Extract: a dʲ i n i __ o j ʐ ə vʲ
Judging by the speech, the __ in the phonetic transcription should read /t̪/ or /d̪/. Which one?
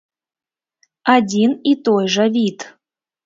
t̪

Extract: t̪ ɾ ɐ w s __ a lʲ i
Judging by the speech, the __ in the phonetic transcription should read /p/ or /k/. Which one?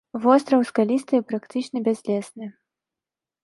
k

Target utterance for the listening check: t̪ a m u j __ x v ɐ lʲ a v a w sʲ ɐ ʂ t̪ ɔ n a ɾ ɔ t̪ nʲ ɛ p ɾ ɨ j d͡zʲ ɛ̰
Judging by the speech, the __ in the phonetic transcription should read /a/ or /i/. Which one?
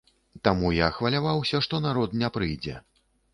a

